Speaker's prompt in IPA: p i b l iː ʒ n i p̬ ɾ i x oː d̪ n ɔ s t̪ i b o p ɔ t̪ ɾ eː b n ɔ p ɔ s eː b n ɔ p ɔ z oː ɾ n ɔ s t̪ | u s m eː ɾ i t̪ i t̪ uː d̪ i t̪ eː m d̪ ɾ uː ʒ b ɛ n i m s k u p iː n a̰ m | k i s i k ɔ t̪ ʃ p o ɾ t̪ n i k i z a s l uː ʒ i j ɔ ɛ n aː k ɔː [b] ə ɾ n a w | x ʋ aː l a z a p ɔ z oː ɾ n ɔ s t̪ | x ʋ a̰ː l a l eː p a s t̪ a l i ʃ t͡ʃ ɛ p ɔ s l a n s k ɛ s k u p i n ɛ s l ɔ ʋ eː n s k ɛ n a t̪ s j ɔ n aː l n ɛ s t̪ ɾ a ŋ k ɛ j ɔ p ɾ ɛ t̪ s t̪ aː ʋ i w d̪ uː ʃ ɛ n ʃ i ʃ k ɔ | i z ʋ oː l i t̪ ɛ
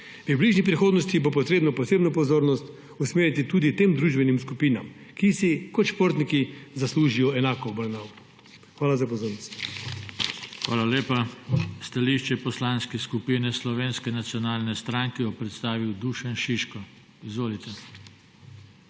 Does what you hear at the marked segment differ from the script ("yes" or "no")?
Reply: no